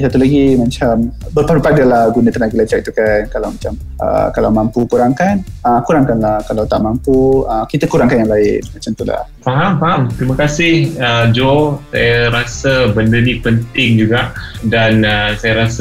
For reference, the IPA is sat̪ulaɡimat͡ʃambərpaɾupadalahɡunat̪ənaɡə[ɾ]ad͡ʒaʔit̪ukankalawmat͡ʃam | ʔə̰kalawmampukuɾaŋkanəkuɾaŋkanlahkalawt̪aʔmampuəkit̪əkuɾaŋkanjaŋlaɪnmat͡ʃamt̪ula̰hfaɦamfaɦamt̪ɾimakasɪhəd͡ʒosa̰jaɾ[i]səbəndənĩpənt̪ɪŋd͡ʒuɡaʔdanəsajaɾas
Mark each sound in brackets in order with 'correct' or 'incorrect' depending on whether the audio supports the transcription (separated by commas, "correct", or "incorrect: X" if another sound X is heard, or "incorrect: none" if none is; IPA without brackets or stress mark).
incorrect: l, incorrect: a